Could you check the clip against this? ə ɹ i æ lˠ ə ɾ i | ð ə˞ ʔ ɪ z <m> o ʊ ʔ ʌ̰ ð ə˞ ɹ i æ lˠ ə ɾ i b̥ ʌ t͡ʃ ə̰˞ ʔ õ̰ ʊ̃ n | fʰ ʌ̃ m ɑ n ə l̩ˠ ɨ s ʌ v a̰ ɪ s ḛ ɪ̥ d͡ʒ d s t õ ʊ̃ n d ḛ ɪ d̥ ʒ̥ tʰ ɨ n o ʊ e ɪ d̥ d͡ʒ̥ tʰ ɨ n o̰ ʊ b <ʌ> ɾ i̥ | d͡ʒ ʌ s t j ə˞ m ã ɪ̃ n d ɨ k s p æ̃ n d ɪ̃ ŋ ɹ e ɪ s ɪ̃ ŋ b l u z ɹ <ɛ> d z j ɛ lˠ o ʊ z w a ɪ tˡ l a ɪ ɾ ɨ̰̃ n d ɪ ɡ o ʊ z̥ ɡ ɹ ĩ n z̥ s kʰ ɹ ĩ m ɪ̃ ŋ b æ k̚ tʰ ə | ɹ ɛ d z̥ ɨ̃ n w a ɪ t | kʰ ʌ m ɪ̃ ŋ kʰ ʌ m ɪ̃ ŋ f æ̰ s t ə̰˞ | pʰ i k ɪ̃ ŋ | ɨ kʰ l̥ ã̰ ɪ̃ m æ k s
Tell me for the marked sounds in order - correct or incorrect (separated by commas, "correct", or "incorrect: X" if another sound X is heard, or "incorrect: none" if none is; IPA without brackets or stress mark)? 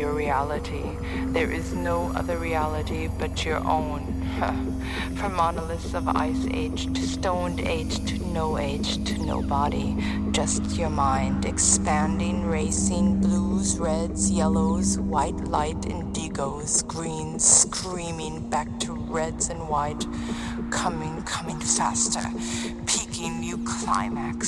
incorrect: n, incorrect: ɑ, correct